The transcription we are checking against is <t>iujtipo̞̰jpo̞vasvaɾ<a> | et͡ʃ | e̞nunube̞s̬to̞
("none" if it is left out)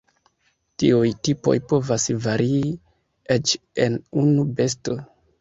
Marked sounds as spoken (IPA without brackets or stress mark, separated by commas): t, i